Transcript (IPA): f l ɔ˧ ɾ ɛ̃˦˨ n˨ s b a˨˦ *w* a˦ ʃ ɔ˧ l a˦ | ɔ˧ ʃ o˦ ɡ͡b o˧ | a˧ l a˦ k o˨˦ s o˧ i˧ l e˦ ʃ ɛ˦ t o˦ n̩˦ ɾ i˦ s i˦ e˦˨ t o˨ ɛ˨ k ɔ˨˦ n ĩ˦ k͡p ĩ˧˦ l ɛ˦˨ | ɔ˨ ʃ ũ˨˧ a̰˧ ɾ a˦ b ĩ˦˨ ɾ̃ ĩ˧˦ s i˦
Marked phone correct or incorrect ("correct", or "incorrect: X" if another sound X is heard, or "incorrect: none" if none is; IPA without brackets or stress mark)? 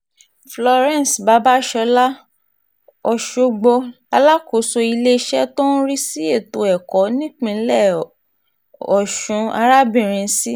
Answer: incorrect: b